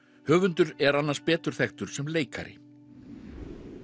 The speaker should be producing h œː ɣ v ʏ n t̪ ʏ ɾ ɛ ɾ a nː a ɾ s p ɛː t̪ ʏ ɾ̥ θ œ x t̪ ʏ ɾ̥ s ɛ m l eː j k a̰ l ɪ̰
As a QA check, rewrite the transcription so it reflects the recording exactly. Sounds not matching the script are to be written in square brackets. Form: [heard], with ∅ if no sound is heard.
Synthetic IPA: h œː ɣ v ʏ n t̪ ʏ ɾ ɛ ɾ a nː a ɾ s p ɛː t̪ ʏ ɾ̥ θ [ɛ] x t̪ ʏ ɾ̥ s ɛ m l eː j k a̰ [ɾ] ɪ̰

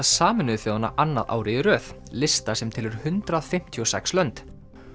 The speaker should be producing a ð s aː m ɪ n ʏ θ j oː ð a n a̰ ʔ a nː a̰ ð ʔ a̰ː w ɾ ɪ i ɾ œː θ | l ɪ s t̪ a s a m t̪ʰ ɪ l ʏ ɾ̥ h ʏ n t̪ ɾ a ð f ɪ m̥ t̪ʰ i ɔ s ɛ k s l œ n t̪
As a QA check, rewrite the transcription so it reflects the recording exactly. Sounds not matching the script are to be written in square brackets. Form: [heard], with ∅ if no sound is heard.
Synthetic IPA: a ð s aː m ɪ n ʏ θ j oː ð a n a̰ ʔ a nː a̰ ð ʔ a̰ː w ɾ ɪ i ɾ œː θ | l ɪ s t̪ a s [ɛ] m t̪ʰ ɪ l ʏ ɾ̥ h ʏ n t̪ ɾ a ð f ɪ m̥ t̪ʰ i ɔ s ɛ k s l œ n t̪

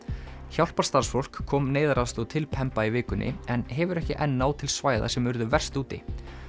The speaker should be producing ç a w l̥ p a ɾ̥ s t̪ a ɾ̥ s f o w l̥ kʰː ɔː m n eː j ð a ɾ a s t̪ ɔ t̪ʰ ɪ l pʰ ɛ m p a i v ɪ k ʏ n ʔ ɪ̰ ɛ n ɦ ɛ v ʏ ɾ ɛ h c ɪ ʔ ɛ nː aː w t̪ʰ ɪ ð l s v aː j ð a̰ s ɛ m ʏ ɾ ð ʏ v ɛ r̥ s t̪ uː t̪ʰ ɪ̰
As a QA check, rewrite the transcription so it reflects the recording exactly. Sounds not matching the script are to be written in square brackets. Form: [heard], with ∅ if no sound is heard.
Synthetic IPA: ç a w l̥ p a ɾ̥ s t̪ a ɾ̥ s f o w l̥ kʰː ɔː m n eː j ð a ɾ a s t̪ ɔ t̪ʰ ɪ l pʰ ɛ m p a i v [ɪː] k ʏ n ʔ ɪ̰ ɛ n ɦ ɛ v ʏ ɾ ɛ h c ɪ ʔ ɛ nː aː w t̪ʰ ɪ [∅] l s v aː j ð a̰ s ɛ m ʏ ɾ ð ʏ v ɛ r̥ s t̪ uː [t̪] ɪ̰

